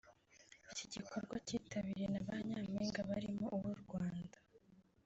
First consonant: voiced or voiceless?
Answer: voiceless